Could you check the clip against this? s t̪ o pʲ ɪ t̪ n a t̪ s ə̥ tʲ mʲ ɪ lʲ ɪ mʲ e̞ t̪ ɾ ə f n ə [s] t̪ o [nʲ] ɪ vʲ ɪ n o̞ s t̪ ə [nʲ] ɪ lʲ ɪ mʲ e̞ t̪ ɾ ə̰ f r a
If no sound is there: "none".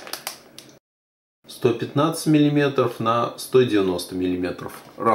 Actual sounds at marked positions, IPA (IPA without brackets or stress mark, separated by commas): s, dʲ, mʲ